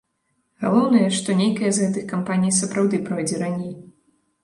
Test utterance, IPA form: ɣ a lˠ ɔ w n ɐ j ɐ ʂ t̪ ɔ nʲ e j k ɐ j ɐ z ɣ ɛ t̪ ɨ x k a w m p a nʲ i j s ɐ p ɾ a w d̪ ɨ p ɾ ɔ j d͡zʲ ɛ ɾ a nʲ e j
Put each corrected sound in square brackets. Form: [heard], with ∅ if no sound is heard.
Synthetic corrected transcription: ɣ a lˠ ɔ w n ɐ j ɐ ʂ t̪ ɔ nʲ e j k ɐ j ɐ z ɣ ɛ t̪ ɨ x k a [∅] m p a nʲ i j s ɐ p ɾ a w d̪ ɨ p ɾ ɔ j d͡zʲ ɛ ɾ a nʲ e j

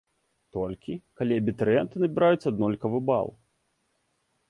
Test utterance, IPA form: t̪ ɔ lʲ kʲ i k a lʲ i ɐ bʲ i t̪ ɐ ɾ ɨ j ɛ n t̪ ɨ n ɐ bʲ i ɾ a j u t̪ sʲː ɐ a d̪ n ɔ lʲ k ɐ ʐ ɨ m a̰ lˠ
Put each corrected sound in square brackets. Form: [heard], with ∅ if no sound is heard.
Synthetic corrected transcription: t̪ ɔ lʲ kʲ i k a lʲ i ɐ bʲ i t̪ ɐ ɾ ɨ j ɛ n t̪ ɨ n ɐ bʲ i ɾ a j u t̪ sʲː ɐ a d̪ n ɔ lʲ k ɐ [v] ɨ [b] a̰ lˠ

